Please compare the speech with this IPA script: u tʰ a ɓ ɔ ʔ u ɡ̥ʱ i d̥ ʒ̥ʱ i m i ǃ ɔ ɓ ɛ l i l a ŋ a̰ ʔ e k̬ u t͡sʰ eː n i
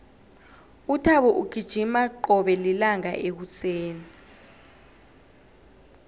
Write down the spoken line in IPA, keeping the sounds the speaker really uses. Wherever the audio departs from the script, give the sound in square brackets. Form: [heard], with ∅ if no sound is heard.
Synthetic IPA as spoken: u tʰ a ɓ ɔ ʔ u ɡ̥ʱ i d̥ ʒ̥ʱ i m [a] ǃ ɔ ɓ ɛ l i l a ŋ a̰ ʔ e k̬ u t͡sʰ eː n i